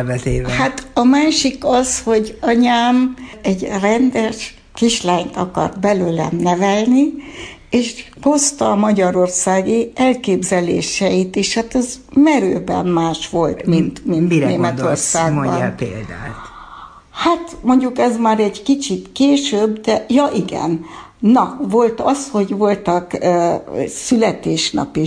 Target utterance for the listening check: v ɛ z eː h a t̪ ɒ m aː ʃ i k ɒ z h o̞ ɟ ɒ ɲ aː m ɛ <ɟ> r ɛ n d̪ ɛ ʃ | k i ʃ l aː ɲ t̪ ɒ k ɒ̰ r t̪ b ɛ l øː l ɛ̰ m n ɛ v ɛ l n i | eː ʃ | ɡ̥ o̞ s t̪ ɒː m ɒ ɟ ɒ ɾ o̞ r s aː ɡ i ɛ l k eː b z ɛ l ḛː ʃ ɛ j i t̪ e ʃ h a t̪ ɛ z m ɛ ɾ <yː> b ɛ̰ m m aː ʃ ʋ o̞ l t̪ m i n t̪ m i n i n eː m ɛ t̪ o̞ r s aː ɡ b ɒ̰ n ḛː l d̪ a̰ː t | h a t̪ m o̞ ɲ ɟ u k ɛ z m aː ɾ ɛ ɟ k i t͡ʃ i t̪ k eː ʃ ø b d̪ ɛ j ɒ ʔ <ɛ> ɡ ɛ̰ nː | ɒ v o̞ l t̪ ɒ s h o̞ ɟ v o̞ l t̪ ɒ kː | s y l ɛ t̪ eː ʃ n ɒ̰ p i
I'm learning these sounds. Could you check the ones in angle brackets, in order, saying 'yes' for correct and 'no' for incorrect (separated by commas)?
yes, no, no